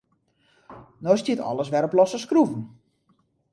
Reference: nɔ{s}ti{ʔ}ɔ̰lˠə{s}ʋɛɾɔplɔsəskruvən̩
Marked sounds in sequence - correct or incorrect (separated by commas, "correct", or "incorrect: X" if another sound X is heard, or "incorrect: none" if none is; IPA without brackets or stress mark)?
correct, incorrect: t, correct